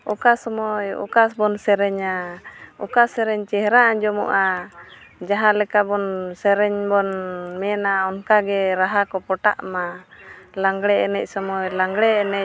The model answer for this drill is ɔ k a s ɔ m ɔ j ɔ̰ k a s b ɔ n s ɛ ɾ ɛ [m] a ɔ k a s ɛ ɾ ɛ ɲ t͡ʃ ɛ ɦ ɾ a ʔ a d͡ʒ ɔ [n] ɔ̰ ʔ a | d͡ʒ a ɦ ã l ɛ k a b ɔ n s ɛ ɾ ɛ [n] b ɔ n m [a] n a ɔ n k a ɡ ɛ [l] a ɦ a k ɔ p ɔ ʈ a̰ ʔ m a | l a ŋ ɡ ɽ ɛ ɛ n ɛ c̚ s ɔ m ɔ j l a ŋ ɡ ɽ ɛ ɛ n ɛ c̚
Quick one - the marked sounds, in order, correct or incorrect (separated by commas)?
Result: incorrect, incorrect, incorrect, incorrect, incorrect